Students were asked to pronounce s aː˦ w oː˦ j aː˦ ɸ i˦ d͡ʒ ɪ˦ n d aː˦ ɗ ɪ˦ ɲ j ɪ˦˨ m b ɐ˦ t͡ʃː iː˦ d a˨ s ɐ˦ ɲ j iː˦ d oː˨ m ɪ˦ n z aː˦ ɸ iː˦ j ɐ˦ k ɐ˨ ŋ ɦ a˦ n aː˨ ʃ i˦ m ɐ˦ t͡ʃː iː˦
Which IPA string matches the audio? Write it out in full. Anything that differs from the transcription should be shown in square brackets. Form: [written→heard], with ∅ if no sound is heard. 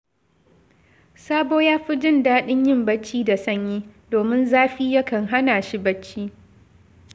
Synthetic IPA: s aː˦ [w→b] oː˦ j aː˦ ɸ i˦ d͡ʒ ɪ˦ n d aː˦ ɗ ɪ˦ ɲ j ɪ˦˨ m b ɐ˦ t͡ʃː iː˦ d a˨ s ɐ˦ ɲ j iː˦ d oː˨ m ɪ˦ n z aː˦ ɸ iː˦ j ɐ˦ k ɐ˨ ŋ ɦ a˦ n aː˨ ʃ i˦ [m→b] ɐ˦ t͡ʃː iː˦